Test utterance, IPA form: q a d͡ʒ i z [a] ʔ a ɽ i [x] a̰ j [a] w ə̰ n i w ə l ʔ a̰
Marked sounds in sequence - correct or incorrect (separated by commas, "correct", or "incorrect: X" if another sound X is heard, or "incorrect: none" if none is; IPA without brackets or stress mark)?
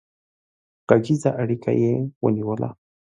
correct, incorrect: k, incorrect: e